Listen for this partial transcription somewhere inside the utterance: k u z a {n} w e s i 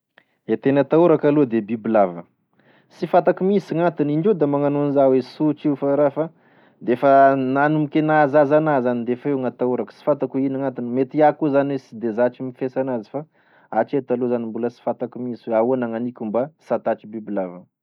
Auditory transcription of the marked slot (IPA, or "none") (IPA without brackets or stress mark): n